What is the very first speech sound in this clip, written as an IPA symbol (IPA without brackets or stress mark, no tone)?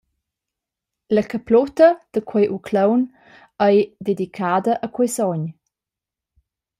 l